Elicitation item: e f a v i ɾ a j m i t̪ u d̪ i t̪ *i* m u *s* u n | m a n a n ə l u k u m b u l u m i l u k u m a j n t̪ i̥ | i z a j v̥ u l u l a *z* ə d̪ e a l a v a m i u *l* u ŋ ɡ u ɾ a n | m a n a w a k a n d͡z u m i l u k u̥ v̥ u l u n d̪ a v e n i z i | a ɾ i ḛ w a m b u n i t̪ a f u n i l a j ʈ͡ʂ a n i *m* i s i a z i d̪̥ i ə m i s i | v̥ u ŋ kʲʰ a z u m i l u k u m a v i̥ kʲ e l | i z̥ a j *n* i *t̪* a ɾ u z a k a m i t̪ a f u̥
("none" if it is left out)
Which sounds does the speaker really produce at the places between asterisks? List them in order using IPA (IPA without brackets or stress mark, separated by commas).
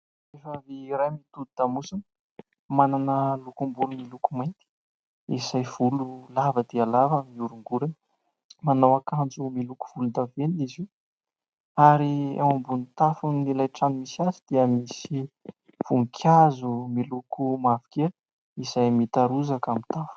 a, s, v, ɾ, m, m, t̪